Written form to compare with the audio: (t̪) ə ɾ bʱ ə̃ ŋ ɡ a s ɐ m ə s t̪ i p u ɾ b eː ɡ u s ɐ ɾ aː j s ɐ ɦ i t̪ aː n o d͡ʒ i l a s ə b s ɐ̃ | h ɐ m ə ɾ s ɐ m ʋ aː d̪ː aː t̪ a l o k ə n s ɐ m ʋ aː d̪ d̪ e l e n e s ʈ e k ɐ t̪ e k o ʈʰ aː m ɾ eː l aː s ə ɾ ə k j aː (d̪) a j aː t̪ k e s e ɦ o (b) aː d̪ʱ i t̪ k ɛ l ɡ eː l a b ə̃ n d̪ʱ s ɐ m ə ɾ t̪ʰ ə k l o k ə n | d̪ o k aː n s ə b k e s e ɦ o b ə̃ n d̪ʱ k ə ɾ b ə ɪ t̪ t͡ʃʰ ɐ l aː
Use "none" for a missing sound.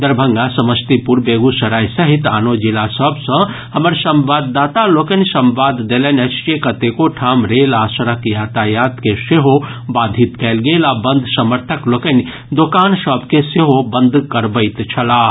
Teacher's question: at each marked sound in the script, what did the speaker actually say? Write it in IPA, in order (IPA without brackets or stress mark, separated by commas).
d̪, t̪, b